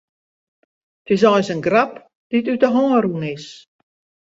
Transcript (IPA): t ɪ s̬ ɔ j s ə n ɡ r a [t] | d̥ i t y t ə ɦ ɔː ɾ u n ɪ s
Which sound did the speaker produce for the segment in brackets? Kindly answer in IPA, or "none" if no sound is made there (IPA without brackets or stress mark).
p